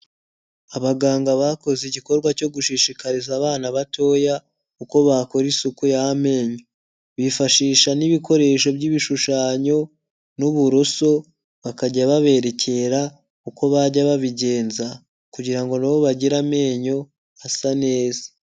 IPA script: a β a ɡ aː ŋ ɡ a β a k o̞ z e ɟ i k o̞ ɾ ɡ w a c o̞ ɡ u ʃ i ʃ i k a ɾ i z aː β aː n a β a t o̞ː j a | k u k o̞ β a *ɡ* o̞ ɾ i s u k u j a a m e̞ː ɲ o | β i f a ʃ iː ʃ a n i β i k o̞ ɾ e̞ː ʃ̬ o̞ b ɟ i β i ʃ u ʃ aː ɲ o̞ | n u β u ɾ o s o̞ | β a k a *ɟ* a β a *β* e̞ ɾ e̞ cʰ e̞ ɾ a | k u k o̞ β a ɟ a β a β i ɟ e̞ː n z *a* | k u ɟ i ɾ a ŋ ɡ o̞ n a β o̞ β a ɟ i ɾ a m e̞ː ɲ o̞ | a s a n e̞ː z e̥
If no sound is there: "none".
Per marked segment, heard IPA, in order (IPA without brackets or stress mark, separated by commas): k, ɟ, β, a